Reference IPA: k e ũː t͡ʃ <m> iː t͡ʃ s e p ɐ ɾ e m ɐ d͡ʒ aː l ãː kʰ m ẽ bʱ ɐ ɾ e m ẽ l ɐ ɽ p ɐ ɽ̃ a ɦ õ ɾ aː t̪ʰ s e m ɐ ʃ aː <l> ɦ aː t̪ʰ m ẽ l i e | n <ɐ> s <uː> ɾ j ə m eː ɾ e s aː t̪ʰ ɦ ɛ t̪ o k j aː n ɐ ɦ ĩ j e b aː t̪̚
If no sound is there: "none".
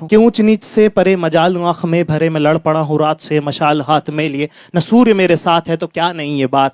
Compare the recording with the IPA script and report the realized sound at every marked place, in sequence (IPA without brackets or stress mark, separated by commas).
n, l, ɐ, uː